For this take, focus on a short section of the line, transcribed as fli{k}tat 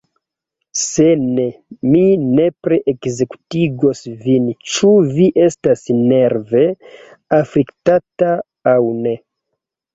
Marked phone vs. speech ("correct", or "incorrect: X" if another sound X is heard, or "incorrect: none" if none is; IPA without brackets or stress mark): correct